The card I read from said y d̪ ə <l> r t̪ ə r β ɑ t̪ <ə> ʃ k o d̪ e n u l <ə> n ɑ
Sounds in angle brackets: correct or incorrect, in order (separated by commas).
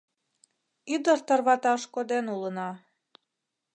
incorrect, incorrect, correct